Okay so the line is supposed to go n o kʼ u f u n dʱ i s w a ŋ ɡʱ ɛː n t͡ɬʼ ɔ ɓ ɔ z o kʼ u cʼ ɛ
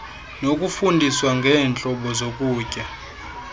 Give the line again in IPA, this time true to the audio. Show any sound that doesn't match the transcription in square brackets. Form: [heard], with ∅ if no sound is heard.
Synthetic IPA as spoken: n o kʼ u f u n dʱ i s w a ŋ ɡʱ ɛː n t͡ɬʼ ɔ ɓ ɔ z o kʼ [uː] cʼ [a]